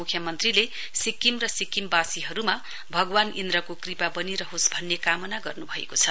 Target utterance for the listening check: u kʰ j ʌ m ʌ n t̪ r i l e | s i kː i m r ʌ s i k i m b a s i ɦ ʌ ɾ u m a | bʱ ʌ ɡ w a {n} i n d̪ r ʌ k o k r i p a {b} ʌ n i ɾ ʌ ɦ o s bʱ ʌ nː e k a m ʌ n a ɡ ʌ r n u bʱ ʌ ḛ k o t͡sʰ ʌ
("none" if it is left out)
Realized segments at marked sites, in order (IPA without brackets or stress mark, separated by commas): n, b